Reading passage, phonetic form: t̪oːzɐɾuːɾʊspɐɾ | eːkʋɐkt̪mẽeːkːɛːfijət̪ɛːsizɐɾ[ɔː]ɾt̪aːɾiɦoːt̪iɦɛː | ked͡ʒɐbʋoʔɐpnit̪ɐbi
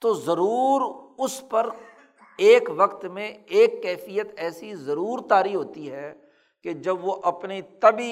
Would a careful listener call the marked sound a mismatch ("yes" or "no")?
yes